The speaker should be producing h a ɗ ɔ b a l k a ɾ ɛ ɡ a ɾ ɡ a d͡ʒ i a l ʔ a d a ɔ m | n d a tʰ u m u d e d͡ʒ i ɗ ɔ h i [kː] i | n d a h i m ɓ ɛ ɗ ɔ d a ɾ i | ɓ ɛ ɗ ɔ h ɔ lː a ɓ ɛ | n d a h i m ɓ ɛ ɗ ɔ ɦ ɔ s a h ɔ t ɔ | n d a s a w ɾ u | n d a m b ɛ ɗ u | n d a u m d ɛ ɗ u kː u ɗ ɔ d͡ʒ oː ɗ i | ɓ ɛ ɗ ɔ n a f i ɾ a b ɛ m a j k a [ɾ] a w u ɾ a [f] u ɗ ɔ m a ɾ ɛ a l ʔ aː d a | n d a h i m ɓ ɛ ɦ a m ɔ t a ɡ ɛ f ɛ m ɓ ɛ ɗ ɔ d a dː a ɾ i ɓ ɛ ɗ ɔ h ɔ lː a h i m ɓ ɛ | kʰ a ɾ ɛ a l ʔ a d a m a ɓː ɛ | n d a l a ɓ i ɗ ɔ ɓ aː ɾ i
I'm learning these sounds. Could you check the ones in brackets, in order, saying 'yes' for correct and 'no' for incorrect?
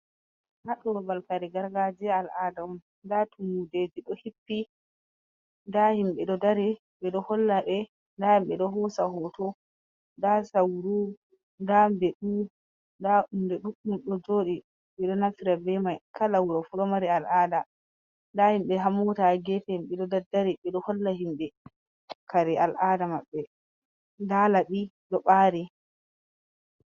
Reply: no, no, yes

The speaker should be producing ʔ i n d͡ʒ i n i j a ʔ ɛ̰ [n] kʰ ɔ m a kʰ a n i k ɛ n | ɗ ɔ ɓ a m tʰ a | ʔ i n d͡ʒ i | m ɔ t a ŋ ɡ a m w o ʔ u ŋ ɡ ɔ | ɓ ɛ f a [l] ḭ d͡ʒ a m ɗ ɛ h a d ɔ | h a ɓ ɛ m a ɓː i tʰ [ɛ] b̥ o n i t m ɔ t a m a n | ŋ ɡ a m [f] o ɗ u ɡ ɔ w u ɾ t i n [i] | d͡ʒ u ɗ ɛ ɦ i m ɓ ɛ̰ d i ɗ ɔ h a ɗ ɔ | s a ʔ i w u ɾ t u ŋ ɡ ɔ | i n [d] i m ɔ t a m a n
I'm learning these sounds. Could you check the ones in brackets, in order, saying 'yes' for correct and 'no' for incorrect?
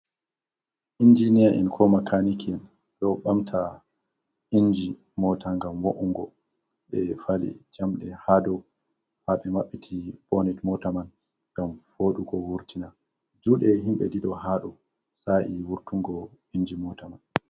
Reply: yes, yes, no, yes, no, no

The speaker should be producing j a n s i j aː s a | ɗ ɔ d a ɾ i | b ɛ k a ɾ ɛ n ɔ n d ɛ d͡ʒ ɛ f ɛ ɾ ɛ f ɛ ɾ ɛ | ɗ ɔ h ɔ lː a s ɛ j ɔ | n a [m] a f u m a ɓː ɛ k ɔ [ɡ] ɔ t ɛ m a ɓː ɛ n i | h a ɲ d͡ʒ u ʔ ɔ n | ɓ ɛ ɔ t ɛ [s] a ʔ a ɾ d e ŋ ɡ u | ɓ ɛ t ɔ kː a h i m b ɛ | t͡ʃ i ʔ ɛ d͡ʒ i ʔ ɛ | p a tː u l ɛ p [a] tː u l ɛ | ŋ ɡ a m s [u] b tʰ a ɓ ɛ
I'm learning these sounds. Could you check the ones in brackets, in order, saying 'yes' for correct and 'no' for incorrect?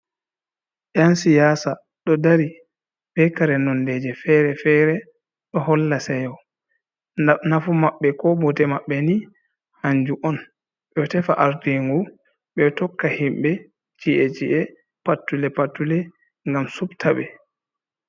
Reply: no, no, no, yes, yes

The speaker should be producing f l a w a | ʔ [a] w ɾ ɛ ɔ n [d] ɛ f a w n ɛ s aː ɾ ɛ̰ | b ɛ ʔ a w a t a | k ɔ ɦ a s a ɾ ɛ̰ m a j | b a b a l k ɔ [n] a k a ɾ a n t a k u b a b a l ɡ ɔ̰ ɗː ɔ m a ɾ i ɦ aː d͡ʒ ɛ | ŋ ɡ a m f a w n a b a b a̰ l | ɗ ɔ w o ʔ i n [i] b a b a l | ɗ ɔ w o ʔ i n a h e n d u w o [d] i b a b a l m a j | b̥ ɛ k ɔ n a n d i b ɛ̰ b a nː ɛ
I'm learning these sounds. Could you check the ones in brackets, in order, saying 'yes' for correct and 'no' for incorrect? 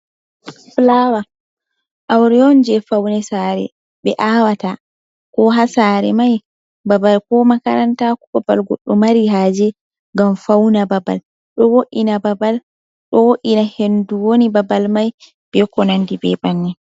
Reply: yes, no, no, no, no

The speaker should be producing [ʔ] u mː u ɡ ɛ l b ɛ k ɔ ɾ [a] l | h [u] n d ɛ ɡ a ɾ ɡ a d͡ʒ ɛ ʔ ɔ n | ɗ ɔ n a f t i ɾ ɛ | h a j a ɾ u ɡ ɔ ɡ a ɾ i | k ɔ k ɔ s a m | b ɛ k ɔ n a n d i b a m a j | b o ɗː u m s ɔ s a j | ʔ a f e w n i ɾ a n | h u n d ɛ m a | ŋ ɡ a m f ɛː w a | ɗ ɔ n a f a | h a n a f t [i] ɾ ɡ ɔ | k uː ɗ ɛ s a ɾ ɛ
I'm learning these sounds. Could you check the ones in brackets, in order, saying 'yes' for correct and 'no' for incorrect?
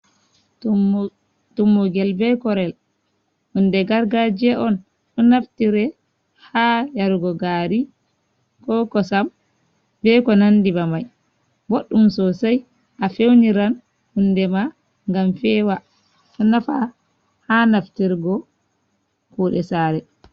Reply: no, no, yes, yes

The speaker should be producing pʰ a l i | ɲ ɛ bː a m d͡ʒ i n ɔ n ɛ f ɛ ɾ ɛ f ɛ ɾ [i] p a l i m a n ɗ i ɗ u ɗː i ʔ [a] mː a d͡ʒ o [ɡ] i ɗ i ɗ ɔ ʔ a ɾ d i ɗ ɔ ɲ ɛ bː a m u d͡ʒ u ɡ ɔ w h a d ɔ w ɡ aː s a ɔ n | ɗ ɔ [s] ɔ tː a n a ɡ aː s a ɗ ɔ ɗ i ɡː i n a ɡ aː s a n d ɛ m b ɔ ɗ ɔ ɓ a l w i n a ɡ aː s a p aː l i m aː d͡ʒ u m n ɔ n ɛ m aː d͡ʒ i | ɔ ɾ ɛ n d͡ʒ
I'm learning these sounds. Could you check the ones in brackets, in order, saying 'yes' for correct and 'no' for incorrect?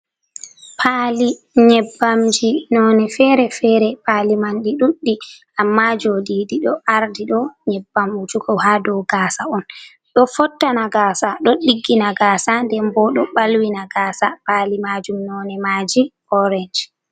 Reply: no, yes, no, no

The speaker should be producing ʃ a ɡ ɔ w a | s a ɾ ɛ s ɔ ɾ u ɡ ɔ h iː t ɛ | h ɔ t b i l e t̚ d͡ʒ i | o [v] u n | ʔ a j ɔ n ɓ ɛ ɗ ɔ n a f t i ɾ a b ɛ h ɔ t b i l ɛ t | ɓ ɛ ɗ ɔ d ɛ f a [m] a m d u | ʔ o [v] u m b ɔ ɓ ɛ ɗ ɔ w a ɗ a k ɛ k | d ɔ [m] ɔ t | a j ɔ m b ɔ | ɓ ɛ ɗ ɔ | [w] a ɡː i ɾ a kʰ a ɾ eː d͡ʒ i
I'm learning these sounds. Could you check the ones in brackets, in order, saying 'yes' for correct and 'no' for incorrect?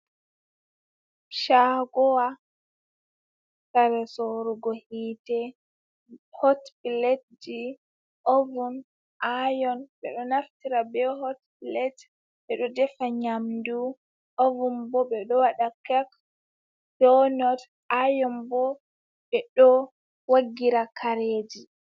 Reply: yes, no, yes, no, yes

